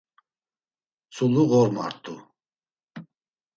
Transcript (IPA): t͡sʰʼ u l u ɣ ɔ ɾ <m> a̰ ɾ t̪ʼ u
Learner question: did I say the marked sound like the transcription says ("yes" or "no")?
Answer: yes